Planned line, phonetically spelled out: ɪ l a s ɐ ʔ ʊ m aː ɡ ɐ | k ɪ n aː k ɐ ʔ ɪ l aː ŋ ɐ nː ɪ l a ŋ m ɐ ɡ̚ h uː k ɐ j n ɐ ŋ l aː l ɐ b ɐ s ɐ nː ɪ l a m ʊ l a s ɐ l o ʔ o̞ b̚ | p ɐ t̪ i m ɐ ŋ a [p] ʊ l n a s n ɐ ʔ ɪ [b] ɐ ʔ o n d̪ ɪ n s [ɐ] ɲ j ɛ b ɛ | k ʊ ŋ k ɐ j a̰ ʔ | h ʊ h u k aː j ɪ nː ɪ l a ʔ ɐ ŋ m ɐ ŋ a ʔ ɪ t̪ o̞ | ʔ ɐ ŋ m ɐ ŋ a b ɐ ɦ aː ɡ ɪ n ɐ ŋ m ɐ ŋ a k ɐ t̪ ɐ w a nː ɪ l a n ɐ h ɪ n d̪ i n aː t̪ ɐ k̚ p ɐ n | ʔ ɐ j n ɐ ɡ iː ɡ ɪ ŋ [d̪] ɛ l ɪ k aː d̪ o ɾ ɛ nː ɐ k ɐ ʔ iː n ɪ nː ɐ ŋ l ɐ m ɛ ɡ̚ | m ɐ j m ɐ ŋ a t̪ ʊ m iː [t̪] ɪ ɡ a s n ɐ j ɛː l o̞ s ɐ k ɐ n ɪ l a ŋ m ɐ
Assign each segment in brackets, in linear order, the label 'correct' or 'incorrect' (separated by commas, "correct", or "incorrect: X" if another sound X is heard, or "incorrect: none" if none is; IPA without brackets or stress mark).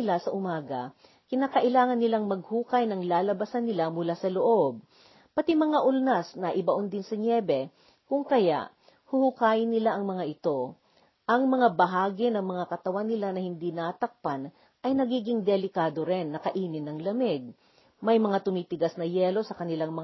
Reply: incorrect: ʔ, correct, correct, correct, correct